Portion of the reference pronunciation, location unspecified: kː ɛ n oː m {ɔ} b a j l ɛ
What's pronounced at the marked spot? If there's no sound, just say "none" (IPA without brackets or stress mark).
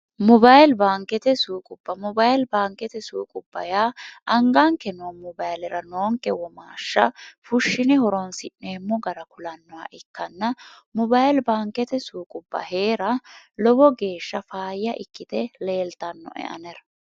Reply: ɔ